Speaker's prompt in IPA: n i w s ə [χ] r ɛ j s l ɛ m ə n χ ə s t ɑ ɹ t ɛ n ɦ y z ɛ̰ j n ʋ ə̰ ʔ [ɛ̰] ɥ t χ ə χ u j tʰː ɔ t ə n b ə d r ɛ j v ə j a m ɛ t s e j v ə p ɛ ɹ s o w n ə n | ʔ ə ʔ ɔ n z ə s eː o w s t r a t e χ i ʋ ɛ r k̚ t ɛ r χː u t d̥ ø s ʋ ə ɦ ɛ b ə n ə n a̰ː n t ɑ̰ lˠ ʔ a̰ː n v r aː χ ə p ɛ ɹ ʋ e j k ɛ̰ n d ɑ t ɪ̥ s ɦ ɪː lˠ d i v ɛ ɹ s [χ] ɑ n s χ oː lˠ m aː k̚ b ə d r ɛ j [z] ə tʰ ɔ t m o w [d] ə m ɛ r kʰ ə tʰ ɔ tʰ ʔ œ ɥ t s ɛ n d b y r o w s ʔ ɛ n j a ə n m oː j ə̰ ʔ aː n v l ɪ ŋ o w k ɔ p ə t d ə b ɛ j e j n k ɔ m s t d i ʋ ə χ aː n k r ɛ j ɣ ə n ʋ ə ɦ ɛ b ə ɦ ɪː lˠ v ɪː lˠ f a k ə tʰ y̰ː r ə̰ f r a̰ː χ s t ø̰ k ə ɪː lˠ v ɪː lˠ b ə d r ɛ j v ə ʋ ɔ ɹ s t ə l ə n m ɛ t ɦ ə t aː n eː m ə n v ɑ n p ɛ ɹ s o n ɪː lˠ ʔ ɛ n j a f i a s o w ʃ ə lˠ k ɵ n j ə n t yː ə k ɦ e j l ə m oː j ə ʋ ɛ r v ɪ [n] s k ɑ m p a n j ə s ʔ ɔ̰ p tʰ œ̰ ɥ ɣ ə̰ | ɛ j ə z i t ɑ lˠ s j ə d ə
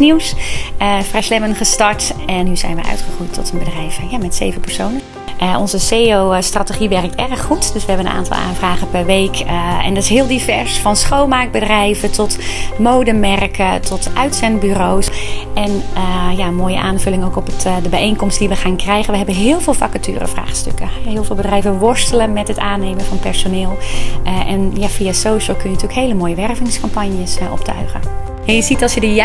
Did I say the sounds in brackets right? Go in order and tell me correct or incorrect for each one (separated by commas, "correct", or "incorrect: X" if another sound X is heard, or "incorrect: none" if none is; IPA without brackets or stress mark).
incorrect: f, incorrect: œ̰, incorrect: f, incorrect: v, correct, incorrect: ŋ